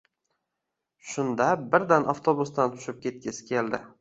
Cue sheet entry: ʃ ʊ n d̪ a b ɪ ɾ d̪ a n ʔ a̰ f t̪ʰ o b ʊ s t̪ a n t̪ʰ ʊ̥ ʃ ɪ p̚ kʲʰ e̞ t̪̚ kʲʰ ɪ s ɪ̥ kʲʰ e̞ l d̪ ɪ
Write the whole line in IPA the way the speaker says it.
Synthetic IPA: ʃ ʊ n d̪ a b ɪ ɾ d̪ a n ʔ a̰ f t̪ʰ o b ʊ s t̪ a n t̪ʰ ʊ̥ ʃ ɪ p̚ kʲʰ e̞ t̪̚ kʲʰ ɪ s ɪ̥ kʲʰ e̞ l d̪ ɪ